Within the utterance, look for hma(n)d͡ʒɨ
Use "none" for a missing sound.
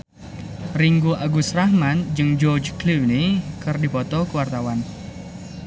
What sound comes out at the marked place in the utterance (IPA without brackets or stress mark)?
n